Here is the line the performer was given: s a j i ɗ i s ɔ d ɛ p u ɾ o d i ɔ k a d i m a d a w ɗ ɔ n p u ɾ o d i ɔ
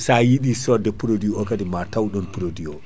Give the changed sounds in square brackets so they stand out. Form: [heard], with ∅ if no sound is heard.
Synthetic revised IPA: s a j i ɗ i s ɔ d ɛ p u ɾ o d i ɔ k a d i m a [t] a w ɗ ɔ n p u ɾ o d i ɔ